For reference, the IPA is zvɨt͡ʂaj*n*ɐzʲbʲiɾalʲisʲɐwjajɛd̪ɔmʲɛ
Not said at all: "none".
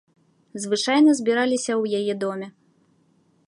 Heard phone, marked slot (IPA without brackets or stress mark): n